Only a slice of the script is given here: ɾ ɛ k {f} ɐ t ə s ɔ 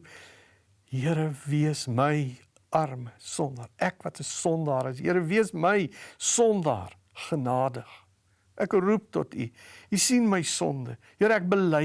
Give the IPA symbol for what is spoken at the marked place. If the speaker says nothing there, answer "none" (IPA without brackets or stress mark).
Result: v